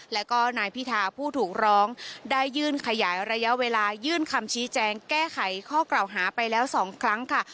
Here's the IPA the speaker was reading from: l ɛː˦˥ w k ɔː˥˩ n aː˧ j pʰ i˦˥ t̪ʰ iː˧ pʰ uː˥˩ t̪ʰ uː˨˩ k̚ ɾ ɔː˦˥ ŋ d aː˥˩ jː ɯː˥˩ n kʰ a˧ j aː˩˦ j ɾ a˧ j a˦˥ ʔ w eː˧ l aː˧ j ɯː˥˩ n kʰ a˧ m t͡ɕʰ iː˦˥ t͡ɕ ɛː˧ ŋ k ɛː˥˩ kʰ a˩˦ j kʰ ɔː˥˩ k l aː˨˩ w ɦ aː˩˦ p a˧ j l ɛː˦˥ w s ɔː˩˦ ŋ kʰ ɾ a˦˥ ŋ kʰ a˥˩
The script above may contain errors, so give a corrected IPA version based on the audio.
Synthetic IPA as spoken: l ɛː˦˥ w k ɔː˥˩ n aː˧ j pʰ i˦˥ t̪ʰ aː˧ pʰ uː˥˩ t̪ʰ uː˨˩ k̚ ɾ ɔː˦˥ ŋ d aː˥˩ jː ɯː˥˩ n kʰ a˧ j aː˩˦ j ɾ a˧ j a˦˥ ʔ w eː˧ l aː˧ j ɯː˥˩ n kʰ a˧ m t͡ɕʰ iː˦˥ t͡ɕ ɛː˧ ŋ k ɛː˥˩ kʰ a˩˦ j kʰ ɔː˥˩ k l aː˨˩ w ɦ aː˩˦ p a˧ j l ɛː˦˥ w s ɔː˩˦ ŋ kʰ ɾ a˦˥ ŋ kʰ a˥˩